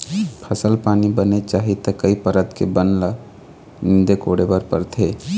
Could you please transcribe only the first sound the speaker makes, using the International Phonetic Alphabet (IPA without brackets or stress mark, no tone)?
pʰ